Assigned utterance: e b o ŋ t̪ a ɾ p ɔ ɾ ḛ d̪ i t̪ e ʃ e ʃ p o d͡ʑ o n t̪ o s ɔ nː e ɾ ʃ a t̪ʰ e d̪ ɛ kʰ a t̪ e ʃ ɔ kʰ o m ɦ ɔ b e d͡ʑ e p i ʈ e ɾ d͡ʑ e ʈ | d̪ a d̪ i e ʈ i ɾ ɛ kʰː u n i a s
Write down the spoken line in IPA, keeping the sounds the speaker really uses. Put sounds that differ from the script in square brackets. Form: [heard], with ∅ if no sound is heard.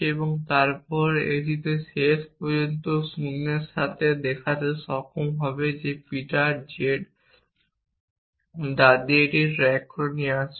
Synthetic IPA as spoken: e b o ŋ t̪ a ɾ p ɔ ɾ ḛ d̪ i t̪ e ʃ e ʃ p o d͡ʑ o n t̪ o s [u] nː e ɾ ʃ a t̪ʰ e d̪ ɛ kʰ a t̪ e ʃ ɔ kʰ o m ɦ ɔ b e d͡ʑ e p i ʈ [a] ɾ d͡ʑ e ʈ | d̪ a d̪ i e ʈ i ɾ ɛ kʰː [o] n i a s